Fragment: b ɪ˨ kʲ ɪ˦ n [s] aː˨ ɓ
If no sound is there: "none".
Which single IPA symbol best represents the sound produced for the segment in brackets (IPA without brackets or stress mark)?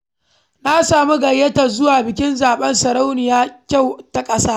z